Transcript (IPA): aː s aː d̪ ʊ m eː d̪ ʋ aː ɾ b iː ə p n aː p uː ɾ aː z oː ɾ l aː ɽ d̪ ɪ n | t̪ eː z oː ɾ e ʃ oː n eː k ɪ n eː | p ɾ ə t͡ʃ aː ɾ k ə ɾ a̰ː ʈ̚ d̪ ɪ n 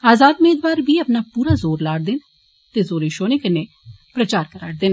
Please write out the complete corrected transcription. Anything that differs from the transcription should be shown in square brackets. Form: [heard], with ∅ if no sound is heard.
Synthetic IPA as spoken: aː [z] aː d̪ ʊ m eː d̪ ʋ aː ɾ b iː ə p n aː p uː ɾ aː z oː ɾ l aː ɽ d̪ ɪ n | t̪ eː z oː ɾ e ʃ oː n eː k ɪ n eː | p ɾ ə t͡ʃ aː ɾ k ə ɾ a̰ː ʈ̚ d̪ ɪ n